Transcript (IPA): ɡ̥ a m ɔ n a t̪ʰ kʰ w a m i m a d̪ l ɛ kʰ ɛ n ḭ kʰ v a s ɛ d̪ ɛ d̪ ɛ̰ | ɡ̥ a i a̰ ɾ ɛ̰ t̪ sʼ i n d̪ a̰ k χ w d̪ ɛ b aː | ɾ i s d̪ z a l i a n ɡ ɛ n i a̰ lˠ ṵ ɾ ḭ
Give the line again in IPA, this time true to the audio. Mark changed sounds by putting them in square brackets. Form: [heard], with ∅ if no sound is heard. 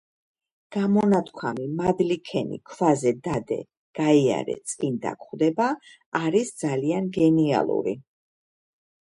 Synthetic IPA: ɡ̥ a m ɔ n a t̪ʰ kʰ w a m i m a d̪ l [i] kʰ ɛ n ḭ kʰ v a [z] ɛ d̪ [a] d̪ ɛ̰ | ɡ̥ a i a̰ ɾ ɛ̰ t̪ sʼ i n d̪ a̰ k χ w d̪ ɛ b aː | ɾ i s d̪ z a l i a n ɡ ɛ n i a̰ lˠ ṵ ɾ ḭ